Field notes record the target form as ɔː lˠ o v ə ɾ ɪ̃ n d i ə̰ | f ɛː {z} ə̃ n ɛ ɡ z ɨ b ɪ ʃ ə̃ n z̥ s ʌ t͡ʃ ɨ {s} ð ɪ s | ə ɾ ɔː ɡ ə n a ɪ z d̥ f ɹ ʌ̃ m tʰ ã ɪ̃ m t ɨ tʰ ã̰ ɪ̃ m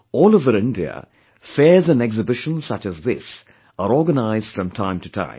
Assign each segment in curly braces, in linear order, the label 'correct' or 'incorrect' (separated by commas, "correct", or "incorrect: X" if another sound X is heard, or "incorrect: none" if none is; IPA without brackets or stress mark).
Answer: correct, incorrect: z